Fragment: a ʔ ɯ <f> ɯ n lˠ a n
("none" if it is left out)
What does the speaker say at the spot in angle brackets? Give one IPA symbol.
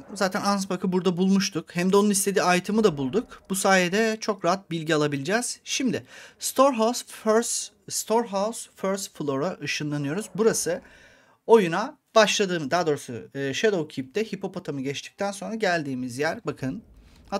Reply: ʃ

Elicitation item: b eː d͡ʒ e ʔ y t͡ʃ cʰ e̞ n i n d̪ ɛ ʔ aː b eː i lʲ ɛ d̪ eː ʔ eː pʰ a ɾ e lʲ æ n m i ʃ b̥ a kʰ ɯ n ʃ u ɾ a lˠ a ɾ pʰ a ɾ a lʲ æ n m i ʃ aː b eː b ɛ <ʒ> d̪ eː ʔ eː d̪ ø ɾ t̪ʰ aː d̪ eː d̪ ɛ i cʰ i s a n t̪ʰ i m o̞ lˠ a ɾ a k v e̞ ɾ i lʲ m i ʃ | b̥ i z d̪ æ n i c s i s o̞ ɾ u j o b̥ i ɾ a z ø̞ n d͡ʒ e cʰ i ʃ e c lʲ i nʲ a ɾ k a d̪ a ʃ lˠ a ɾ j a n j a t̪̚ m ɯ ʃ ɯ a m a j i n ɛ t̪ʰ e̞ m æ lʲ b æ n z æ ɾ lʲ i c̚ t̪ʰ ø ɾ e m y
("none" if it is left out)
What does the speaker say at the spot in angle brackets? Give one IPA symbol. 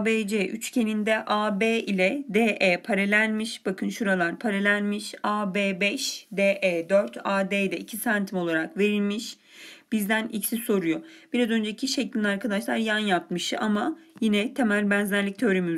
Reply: ʃ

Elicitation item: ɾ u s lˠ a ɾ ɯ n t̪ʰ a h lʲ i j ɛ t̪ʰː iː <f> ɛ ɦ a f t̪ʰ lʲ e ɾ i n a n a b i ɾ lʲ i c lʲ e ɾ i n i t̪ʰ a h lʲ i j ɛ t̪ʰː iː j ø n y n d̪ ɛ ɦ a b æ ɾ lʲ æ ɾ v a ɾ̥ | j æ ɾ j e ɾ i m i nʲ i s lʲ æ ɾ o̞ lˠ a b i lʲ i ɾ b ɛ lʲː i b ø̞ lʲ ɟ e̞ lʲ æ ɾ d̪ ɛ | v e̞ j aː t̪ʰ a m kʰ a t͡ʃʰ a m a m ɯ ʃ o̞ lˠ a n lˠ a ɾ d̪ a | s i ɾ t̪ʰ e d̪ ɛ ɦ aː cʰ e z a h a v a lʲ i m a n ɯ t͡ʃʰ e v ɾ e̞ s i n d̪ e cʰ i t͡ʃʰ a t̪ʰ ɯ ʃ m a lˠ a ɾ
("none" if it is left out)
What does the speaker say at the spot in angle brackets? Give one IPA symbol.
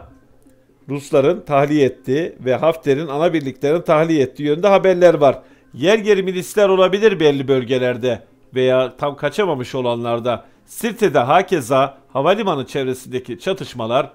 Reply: v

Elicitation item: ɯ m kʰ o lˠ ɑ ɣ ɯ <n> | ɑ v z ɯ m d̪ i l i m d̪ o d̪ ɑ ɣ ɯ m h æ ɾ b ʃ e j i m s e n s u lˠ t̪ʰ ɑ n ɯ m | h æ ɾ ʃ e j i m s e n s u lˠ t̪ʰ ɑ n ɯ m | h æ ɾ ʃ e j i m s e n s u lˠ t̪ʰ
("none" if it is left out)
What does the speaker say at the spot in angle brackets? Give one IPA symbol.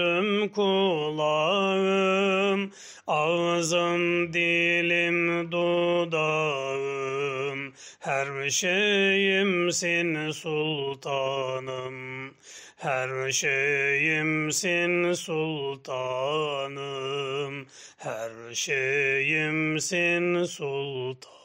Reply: m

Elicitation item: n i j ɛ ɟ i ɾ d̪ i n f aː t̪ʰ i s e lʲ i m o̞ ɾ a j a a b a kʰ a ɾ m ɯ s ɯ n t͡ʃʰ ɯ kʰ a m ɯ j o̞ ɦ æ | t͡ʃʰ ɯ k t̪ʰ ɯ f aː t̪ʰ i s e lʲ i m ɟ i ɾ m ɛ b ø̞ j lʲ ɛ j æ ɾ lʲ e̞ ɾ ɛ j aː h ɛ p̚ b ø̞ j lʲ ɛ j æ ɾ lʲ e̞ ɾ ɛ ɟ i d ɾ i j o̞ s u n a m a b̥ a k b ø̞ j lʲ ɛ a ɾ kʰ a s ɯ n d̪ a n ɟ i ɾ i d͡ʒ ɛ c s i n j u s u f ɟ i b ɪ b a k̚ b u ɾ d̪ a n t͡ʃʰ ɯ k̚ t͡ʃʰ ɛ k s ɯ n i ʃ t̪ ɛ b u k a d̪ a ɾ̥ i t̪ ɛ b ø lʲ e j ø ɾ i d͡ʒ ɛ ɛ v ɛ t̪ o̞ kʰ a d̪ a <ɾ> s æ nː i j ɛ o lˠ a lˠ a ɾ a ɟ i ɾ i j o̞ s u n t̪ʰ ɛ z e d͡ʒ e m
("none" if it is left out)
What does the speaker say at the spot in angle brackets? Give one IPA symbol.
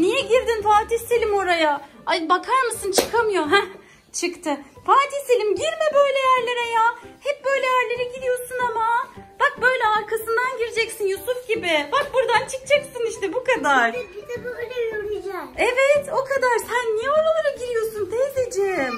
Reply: ɾ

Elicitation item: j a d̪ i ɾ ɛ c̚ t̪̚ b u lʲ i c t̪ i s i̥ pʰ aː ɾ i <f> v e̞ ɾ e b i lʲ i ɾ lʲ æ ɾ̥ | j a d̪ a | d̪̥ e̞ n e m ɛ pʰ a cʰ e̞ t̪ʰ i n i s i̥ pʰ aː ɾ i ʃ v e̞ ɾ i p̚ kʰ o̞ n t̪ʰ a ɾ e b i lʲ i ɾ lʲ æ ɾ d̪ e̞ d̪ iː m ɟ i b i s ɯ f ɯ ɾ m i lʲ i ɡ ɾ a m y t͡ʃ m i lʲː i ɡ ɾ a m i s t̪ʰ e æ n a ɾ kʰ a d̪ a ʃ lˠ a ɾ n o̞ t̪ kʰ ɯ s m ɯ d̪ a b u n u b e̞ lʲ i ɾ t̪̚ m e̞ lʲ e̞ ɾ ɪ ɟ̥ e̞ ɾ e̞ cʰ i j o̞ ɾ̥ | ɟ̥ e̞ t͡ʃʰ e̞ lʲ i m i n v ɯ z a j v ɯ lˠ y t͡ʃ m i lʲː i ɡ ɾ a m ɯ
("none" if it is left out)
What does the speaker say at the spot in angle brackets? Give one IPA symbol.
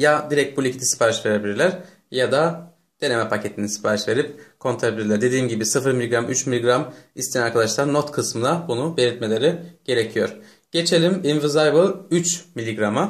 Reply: ʃ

